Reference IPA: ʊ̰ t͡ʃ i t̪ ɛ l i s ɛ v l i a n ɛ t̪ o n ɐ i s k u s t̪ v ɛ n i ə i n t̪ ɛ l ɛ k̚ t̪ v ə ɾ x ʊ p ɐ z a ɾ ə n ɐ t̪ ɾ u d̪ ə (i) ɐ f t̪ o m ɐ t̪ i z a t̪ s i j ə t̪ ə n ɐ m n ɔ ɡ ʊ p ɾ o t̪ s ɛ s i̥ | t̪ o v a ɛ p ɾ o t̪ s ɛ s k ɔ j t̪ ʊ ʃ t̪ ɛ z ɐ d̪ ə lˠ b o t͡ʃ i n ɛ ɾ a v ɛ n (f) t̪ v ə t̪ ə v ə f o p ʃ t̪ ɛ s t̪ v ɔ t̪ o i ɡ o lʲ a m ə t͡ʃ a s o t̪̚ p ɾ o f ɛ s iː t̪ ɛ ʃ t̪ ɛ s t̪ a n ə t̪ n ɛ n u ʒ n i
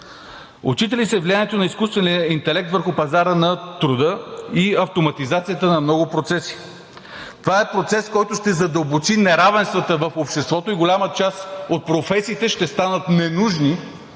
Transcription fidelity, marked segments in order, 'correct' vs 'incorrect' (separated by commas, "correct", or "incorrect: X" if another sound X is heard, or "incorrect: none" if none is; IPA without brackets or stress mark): correct, incorrect: s